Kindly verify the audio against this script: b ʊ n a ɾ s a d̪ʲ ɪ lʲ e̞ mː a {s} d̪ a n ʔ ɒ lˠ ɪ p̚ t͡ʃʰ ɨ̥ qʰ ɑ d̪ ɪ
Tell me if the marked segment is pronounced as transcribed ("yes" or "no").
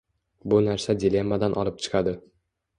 no